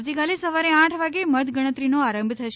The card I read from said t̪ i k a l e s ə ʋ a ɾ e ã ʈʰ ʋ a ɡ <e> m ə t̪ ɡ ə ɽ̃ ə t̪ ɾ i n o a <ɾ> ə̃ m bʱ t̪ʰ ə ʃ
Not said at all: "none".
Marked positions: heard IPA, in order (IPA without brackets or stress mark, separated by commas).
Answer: e, ɾ